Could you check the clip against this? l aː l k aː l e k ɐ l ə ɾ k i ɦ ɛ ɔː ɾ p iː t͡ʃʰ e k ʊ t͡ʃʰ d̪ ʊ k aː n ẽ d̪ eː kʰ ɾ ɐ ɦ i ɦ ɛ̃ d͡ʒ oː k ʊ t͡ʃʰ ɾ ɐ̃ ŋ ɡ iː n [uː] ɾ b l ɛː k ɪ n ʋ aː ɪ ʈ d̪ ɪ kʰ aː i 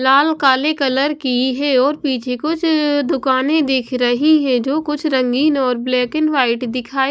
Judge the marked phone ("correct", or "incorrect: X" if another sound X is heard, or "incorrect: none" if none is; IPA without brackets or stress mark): incorrect: ɔː